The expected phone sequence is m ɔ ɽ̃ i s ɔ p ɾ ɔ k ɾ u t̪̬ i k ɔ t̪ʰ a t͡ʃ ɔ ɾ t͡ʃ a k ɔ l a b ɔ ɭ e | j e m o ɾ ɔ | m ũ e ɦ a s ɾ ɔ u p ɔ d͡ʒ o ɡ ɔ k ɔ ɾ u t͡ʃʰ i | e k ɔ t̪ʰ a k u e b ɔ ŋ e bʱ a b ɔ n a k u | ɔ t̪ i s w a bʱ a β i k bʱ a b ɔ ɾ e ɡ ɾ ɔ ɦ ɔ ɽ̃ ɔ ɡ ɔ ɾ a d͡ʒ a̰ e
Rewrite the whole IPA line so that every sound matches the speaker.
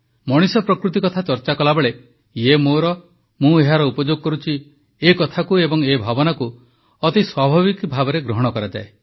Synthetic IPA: m ɔ ɽ̃ i s ɔ p ɾ ɔ k ɾ u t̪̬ i k ɔ t̪ʰ a t͡ʃ ɔ ɾ t͡ʃ a k ɔ l a b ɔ ɭ e | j e m o ɾ ɔ | m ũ e ɦ a ɾ ɔ u p ɔ d͡ʒ o ɡ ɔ k ɔ ɾ u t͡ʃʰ i | e k ɔ t̪ʰ a k u e b ɔ ŋ e bʱ a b ɔ n a k u | ɔ t̪ i s w a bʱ a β i k bʱ a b ɔ ɾ e ɡ ɾ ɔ ɦ ɔ ɽ̃ ɔ k ɔ ɾ a d͡ʒ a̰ e